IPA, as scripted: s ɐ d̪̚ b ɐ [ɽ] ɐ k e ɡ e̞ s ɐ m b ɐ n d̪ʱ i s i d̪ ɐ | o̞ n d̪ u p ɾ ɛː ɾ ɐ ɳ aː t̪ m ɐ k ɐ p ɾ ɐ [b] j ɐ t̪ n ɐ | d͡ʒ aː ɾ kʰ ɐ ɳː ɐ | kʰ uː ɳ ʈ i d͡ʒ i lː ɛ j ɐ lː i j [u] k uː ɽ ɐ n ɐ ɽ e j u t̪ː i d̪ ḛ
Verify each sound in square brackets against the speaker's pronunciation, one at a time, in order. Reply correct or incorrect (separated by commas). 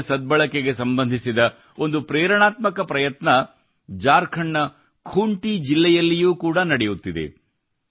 incorrect, incorrect, incorrect